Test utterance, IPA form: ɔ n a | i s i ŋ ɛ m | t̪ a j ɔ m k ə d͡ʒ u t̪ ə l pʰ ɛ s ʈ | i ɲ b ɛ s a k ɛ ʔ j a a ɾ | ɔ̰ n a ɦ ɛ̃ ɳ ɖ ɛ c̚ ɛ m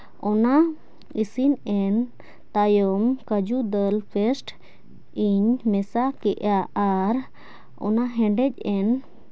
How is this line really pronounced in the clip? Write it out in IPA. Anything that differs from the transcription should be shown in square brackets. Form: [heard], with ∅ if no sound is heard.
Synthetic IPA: ɔ n a | i s i [n] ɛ [n] | t̪ a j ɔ m k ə d͡ʒ u [d̪] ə l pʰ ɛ s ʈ | i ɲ [m] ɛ s a k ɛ ʔ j a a ɾ | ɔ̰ n a ɦ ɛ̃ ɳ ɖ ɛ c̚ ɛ [n]